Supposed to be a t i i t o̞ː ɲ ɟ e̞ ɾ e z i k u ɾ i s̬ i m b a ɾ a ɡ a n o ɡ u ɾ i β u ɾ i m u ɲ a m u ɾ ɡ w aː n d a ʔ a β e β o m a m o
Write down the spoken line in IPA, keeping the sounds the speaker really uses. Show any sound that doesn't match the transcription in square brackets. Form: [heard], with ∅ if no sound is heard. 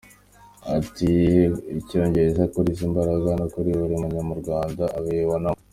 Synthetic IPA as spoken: a t i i [c] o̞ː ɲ ɟ e̞ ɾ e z [a] k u ɾ i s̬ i m b a ɾ a ɡ a n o [k] u ɾ i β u ɾ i m u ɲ a m u ɾ ɡ w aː n d a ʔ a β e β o [n] a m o